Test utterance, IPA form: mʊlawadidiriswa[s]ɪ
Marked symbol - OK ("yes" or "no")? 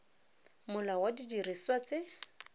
no